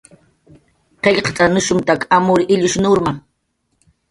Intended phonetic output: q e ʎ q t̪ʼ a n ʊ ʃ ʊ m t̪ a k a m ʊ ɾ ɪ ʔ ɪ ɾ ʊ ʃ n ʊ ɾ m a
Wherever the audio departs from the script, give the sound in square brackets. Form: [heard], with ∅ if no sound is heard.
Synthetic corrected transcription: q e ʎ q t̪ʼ a n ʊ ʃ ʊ m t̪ a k a m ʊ ɾ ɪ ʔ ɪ [ʎ] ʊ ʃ n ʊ ɾ m a